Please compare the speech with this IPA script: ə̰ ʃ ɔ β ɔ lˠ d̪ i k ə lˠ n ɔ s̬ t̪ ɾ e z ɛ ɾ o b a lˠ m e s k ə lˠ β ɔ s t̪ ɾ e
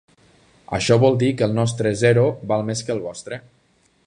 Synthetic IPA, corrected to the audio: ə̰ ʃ ɔ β ɔ lˠ d̪ i k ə lˠ n ɔ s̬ t̪ ɾ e z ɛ ɾ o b a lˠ m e s k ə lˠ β ɔ s t̪ ɾ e